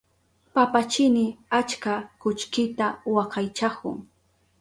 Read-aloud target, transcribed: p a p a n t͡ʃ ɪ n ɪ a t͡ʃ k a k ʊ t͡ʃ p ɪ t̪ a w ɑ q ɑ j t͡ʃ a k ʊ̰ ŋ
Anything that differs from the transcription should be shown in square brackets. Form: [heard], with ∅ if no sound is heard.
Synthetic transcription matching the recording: p a p a [∅] t͡ʃ ɪ n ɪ a t͡ʃ k a k ʊ t͡ʃ [k] ɪ t̪ a w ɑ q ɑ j t͡ʃ a k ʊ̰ ŋ